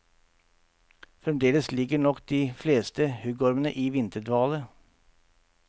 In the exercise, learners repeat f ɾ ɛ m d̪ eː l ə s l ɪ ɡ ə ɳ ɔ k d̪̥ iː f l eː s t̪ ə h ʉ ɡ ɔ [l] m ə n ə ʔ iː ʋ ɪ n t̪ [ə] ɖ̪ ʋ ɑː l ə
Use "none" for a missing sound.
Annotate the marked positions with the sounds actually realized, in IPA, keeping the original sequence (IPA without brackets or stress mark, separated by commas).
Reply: ɾ, ə